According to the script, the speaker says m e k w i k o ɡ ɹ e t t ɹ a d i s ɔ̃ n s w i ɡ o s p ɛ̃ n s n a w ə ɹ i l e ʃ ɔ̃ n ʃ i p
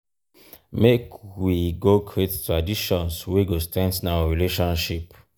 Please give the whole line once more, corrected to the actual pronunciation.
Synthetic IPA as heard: m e k w i ɡ o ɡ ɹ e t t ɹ a d i ʃ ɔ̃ n s w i ɡ o s t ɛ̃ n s n a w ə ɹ i l e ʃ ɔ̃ n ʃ i p